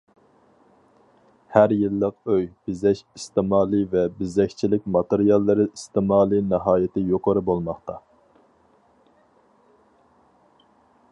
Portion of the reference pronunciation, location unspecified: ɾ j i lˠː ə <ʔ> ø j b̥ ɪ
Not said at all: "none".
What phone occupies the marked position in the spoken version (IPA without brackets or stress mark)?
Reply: q